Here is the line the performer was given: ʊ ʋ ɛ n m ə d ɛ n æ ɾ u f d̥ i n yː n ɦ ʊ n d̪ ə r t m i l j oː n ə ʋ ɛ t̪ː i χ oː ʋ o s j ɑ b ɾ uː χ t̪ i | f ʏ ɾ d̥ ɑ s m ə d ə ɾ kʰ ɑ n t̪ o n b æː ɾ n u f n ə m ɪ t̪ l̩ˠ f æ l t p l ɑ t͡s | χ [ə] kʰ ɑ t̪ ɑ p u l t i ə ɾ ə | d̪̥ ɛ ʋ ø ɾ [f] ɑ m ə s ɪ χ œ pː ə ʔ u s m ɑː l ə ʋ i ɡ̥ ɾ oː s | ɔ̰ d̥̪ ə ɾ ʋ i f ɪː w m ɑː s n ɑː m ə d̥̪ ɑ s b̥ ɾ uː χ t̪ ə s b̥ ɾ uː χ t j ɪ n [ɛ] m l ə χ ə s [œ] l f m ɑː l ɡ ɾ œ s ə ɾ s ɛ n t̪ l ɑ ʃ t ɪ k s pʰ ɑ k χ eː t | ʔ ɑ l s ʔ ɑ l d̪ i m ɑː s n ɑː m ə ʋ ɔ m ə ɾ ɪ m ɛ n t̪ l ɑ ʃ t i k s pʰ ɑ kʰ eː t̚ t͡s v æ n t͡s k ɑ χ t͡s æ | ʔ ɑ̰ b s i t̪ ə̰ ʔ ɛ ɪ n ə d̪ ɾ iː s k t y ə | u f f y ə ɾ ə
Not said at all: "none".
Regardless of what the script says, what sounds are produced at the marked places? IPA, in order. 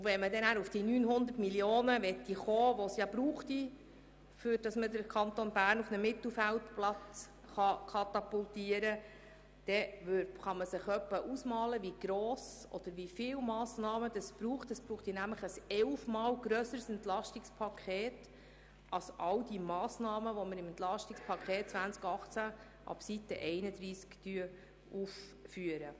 ɑ, χ, æ, ɛ

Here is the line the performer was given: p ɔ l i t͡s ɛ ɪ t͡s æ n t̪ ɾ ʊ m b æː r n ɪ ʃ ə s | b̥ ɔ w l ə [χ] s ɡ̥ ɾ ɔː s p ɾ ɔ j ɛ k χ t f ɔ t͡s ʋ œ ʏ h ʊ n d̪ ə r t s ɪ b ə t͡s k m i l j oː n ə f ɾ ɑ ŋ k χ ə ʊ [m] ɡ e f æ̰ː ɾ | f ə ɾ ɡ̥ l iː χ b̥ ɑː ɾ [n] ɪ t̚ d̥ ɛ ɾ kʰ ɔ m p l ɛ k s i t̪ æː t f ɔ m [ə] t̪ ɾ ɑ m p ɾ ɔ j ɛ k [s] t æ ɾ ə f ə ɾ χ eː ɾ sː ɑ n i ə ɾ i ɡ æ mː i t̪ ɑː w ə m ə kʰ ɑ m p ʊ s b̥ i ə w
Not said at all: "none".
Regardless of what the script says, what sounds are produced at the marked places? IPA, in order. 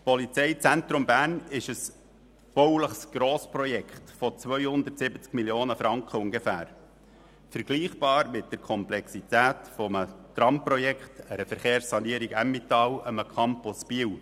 χ, ŋ, m, ə, χ

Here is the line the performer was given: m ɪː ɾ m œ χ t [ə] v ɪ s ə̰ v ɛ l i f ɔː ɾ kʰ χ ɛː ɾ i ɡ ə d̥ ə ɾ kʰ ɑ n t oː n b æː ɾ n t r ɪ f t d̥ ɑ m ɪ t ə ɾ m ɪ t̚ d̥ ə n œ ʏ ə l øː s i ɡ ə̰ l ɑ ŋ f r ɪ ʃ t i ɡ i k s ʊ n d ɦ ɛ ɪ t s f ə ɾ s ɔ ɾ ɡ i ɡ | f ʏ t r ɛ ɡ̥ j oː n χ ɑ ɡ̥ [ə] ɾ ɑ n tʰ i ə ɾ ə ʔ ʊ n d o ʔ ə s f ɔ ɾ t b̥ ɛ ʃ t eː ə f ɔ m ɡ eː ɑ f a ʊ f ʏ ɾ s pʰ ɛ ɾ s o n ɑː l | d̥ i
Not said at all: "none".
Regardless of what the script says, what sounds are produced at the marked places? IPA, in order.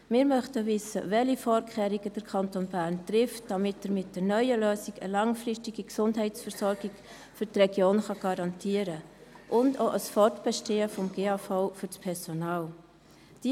ə, ɑ

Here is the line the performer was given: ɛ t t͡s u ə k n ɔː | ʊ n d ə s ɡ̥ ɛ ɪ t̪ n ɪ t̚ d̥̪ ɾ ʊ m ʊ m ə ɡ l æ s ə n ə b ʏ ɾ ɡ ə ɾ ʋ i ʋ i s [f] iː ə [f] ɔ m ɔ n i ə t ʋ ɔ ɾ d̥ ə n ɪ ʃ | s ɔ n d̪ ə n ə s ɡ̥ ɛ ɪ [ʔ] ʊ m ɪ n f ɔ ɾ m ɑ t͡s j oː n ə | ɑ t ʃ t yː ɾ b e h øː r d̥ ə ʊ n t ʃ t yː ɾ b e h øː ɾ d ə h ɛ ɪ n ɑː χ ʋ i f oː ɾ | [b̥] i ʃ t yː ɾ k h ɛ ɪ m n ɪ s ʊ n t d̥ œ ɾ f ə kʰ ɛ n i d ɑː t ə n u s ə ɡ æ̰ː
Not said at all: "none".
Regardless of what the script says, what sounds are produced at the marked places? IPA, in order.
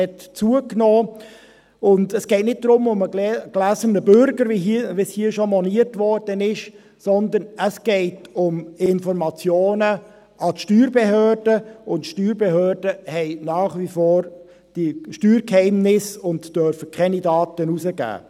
h, ʃ, t, d̥

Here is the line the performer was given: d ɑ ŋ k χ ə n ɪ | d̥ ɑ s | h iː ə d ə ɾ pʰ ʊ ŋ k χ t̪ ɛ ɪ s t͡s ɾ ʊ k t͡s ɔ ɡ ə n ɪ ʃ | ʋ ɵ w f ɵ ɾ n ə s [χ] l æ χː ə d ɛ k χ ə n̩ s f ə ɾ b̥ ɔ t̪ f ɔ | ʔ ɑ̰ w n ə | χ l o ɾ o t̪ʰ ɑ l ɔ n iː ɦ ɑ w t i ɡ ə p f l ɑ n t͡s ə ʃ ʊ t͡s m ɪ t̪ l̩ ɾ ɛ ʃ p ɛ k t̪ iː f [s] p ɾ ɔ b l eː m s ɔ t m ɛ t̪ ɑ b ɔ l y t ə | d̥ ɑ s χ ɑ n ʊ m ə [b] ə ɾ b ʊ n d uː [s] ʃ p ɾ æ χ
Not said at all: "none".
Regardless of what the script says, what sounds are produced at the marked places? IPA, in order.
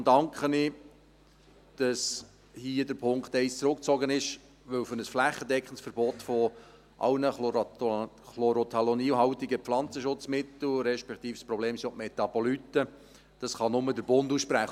f, s, d, s

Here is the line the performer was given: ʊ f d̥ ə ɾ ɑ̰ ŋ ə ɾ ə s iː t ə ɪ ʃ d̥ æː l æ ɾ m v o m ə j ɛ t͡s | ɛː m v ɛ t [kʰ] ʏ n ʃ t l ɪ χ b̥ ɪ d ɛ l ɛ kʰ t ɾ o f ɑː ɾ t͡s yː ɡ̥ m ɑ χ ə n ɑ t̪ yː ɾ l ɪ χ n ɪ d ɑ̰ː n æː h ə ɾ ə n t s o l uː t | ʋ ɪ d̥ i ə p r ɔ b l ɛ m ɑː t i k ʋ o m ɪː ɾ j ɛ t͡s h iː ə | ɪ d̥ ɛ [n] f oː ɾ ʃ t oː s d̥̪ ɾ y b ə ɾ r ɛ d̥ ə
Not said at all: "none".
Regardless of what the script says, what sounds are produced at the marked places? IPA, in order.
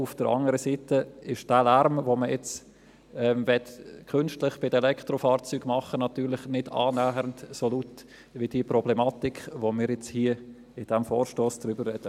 kʰ, m

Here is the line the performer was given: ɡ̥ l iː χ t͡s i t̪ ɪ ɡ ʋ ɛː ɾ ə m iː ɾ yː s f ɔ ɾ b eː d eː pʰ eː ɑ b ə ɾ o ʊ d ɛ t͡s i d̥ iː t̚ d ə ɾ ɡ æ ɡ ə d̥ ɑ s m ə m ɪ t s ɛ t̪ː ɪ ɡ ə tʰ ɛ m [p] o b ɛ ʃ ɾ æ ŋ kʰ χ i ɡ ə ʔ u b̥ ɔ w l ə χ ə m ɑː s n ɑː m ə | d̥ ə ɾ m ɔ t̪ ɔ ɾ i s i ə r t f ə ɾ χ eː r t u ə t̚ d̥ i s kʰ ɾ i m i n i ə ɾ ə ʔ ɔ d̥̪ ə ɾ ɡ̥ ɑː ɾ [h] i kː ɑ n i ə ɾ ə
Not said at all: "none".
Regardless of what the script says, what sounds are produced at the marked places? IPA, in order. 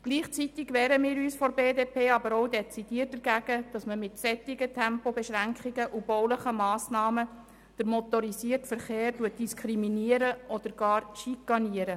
p, ʃ

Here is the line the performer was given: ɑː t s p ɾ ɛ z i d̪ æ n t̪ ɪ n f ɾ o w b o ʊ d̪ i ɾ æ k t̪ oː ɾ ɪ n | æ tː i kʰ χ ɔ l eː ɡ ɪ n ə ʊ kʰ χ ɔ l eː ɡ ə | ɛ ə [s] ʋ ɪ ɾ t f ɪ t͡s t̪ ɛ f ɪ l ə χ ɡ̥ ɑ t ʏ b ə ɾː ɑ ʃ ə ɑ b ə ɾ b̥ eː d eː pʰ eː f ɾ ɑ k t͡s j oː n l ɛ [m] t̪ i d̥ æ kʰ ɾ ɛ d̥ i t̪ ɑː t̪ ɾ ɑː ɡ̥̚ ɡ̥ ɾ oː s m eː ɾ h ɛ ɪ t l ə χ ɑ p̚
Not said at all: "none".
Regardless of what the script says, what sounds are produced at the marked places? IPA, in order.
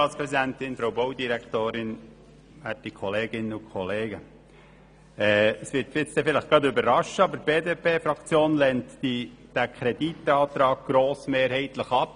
s, n

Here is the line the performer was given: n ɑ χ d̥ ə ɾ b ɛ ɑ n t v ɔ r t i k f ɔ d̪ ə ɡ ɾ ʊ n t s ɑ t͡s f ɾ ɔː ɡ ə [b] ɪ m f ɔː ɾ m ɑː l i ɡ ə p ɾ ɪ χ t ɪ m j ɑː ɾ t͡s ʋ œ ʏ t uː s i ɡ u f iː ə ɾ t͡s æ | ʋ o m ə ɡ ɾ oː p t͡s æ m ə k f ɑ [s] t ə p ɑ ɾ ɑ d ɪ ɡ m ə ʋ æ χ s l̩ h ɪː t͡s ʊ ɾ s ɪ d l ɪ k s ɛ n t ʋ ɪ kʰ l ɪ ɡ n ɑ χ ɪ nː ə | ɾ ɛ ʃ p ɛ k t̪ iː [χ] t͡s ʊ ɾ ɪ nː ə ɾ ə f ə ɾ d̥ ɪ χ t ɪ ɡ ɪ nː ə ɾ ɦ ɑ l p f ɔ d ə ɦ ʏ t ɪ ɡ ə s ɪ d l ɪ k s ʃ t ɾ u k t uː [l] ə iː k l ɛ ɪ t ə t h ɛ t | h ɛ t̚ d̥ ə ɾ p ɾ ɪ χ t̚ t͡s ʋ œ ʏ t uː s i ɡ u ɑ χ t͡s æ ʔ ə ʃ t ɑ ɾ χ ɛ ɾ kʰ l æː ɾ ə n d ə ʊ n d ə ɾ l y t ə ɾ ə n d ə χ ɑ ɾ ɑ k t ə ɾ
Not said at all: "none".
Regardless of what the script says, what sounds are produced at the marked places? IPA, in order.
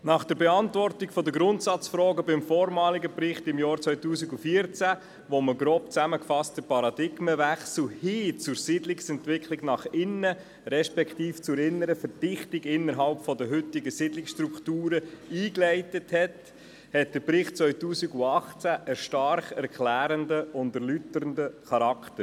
b, s, f, ɾ

